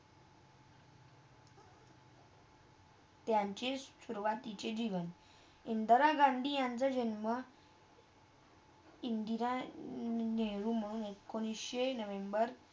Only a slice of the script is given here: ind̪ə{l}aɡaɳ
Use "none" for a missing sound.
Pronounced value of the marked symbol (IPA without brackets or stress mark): ɾ